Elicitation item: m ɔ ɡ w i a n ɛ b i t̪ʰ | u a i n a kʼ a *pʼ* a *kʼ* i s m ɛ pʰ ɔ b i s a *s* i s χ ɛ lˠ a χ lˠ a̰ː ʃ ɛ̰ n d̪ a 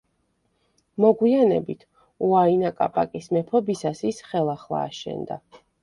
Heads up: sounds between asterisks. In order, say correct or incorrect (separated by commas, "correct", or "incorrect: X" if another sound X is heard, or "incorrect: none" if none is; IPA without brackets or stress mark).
correct, correct, correct